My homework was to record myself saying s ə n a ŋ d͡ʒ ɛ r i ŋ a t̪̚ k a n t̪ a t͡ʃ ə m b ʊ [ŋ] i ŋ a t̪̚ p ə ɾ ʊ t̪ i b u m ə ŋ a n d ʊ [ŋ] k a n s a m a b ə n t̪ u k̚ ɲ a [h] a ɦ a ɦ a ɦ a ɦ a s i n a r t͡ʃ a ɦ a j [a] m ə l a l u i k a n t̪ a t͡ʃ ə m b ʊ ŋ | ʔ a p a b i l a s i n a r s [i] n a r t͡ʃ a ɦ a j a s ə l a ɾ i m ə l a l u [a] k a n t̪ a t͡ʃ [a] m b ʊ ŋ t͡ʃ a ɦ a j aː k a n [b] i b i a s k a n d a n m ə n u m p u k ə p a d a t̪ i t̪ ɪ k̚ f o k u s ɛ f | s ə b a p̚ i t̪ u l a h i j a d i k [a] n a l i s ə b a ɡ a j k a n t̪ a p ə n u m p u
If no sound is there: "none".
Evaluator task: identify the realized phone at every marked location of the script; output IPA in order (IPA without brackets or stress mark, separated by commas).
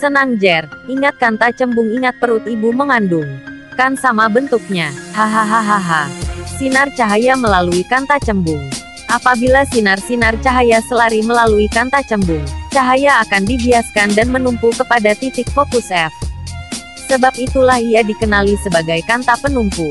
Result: ŋ, ŋ, h, a, i, i, ə, d, ə